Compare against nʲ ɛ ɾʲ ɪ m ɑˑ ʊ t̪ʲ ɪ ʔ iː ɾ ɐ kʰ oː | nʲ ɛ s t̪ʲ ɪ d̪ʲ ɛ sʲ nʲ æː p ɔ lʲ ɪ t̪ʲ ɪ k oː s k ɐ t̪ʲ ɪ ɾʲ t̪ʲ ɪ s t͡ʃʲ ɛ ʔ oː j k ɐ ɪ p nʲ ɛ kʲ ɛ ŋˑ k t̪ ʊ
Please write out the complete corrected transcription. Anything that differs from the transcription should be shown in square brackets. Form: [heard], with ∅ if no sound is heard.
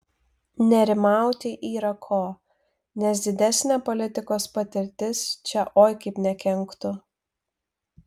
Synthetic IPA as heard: nʲ ɛ ɾʲ ɪ m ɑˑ ʊ t̪ʲ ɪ ʔ iː ɾ ɐ kʰ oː | nʲ ɛ s [d̪ʲ] ɪ d̪ʲ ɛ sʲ nʲ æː p ɔ lʲ ɪ t̪ʲ ɪ k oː s [p] ɐ t̪ʲ ɪ ɾʲ t̪ʲ ɪ s t͡ʃʲ ɛ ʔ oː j k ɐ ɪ p nʲ ɛ kʲ ɛ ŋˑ k t̪ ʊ